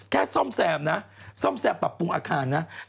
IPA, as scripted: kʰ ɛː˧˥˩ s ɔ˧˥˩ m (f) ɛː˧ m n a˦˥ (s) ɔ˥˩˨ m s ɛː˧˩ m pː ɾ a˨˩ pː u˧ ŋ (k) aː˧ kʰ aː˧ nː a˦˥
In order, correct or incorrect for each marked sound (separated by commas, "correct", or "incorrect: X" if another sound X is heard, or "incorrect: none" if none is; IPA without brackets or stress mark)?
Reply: incorrect: s, correct, incorrect: ʔ